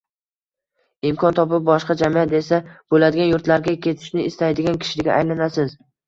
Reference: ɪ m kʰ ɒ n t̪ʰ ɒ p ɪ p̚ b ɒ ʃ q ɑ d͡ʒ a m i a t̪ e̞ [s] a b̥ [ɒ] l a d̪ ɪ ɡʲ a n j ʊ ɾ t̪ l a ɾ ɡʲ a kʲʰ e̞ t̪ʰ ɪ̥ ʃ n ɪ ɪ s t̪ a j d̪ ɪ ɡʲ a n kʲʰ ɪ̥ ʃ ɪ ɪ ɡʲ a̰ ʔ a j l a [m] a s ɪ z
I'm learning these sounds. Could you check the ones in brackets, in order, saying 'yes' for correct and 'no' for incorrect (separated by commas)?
yes, no, no